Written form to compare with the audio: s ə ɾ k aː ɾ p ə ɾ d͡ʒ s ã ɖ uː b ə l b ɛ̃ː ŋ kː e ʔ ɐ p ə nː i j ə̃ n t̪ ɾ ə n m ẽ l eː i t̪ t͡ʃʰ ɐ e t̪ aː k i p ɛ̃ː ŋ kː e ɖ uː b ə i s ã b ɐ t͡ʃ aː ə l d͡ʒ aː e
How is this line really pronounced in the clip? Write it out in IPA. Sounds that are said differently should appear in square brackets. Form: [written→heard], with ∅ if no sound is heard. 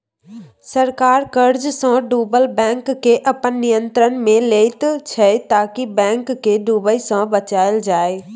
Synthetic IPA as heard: s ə ɾ k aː ɾ [p→k] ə ɾ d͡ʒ s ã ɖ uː b ə l b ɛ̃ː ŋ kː e ʔ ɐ p ə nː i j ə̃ n t̪ ɾ ə n m ẽ l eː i t̪ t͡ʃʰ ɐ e t̪ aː k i [p→b] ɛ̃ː ŋ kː e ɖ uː b ə i s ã b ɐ t͡ʃ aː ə l d͡ʒ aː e